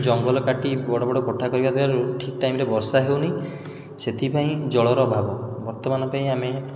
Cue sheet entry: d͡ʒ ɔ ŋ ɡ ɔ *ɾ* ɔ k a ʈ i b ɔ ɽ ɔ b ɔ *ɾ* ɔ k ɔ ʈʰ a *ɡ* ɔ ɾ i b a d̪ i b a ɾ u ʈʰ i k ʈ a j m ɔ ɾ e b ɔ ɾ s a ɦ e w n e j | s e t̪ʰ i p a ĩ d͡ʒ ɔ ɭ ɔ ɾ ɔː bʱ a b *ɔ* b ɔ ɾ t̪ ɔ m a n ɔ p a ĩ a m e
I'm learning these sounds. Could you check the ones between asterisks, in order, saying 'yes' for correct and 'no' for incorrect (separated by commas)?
no, no, no, yes